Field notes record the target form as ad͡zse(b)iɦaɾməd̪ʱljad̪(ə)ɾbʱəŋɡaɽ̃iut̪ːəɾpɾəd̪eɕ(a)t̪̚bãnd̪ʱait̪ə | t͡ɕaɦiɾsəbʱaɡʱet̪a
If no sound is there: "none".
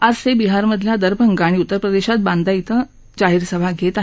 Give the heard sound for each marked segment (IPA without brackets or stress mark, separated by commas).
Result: b, ə, a